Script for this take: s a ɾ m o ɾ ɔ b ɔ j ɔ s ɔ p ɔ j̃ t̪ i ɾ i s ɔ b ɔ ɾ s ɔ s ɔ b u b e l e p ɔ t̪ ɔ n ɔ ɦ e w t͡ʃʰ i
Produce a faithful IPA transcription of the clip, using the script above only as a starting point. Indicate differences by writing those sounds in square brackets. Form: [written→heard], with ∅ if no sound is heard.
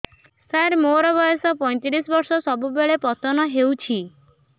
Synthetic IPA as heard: s a ɾ m o ɾ ɔ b ɔ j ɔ s ɔ p ɔ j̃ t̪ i ɾ i s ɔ b ɔ ɾ s ɔ s ɔ b u b e [l→ɭ] e p ɔ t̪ ɔ n ɔ ɦ e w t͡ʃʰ i